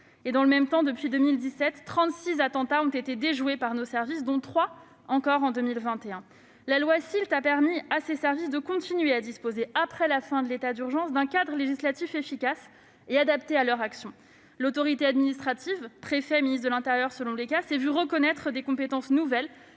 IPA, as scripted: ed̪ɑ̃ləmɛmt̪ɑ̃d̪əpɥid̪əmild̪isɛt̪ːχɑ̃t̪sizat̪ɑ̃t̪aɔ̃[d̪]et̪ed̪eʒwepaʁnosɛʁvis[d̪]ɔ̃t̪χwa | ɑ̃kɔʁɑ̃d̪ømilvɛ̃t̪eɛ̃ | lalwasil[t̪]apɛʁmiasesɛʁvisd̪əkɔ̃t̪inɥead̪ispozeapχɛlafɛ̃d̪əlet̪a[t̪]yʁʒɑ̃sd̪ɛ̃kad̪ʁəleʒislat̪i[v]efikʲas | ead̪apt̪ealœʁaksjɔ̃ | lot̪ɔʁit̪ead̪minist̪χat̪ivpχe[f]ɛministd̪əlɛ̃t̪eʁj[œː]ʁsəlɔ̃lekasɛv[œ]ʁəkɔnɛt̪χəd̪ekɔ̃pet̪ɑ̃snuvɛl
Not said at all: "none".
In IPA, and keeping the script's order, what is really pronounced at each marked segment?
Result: t̪, d̪, t̪, d̪, f, f, œ, y

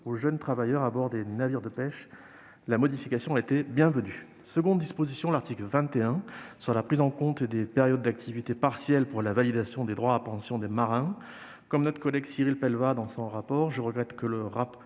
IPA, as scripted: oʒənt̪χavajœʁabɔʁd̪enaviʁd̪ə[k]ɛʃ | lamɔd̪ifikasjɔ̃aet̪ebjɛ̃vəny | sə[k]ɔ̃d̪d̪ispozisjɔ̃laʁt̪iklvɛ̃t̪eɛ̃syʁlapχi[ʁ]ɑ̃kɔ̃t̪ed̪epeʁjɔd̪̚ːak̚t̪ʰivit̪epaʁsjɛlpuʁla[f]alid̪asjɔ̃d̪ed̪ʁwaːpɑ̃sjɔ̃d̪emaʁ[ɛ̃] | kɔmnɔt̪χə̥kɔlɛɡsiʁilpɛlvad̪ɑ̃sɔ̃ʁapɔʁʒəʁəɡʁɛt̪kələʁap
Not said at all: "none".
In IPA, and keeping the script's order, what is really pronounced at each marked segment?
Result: p, ɡ, z, v, ɛ̃

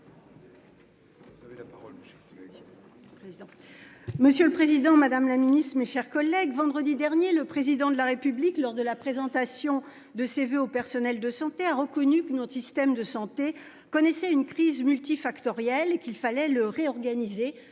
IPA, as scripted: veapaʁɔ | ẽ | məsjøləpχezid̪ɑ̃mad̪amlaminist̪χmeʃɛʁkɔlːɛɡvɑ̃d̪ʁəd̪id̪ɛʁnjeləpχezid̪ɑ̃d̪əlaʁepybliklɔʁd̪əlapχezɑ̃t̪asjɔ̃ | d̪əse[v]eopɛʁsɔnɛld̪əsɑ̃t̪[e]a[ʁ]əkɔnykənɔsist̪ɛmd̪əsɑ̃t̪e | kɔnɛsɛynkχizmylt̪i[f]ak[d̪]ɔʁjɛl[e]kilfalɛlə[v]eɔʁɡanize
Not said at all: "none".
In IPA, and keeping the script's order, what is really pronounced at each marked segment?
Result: v, e, ʁ, f, t̪, e, ʁ

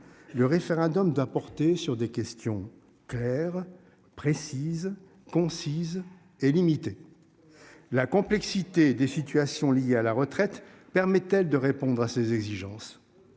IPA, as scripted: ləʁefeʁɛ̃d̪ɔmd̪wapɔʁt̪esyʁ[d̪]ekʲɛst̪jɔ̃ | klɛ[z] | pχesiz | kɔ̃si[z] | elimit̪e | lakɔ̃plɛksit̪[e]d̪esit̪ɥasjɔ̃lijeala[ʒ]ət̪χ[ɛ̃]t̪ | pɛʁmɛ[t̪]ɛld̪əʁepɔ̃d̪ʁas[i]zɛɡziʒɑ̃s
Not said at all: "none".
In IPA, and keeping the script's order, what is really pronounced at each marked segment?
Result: d̪, ʁ, z, e, ʁ, ɛ, t̪, e

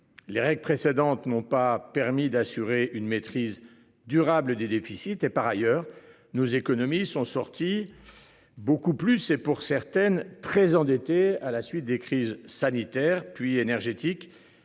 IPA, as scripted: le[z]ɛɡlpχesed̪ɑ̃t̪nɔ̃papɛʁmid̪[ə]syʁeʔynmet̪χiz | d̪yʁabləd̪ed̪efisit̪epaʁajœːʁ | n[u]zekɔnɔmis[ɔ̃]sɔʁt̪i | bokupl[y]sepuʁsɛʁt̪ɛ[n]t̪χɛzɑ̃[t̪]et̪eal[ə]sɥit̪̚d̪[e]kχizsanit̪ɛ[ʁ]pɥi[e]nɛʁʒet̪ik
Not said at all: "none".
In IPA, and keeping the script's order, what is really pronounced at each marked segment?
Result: ʁ, a, o, ɔ̃, y, n, d̪, a, e, ʁ, e

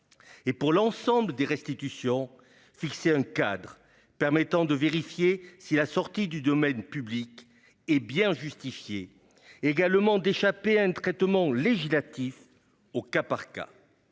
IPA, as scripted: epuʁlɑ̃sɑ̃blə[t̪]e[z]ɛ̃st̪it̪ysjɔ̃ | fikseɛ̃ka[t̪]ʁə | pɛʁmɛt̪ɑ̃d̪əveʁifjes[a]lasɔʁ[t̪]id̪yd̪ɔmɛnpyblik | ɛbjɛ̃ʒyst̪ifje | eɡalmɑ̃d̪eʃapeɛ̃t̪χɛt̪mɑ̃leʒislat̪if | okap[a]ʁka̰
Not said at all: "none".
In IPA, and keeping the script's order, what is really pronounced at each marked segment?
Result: d̪, ʁ, d̪, i, t̪, a

